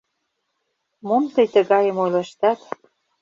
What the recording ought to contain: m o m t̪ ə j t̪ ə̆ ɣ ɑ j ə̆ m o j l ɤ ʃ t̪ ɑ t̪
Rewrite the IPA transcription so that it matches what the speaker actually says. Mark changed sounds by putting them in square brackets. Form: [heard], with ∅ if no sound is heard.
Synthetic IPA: m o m t̪ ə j t̪ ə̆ ɣ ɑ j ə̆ m o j l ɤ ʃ t̪ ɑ t̪